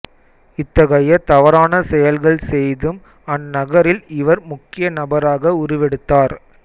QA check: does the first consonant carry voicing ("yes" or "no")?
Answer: no